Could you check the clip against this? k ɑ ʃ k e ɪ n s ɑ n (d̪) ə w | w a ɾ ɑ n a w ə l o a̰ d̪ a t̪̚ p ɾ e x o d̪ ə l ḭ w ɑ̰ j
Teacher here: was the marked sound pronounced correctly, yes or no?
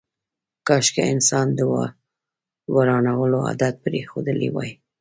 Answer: yes